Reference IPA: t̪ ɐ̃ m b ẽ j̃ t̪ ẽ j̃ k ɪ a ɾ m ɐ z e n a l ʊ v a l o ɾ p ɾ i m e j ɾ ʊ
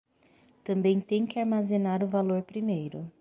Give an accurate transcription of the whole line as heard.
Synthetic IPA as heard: t̪ ɐ̃ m b ẽ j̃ t̪ ẽ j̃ k ɪ a ɾ m a z e n a ɾ ʊ v a l o ɾ p ɾ i m e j ɾ ʊ